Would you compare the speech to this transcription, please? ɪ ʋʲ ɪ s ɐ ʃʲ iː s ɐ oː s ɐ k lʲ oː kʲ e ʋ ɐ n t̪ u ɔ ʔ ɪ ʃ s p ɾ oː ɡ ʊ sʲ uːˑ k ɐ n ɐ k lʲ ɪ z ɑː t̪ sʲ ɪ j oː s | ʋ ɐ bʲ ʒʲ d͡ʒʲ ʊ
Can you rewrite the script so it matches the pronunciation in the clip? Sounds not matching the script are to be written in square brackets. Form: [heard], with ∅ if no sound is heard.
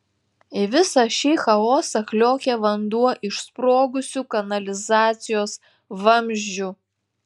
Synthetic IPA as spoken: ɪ ʋʲ ɪ s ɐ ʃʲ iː [x] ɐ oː s ɐ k lʲ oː kʲ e ʋ ɐ n [d̪] u ɔ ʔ ɪ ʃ s p ɾ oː ɡ ʊ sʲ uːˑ k ɐ n ɐ [∅] lʲ ɪ z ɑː t̪ sʲ ɪ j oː s | ʋ ɐ [mʲ] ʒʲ d͡ʒʲ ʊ